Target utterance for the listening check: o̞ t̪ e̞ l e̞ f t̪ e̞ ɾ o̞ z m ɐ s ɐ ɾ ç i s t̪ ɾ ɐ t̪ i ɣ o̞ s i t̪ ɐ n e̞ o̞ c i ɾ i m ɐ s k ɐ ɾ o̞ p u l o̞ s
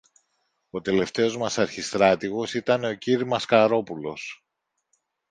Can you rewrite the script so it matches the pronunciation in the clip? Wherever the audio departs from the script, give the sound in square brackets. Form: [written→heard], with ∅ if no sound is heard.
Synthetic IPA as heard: o̞ t̪ e̞ l e̞ f t̪ e̞ [ɾ→∅] o̞ z m ɐ s ɐ ɾ ç i s t̪ ɾ ɐ t̪ i ɣ o̞ s i t̪ ɐ n e̞ o̞ c i ɾ i m ɐ s k ɐ ɾ o̞ p u l o̞ s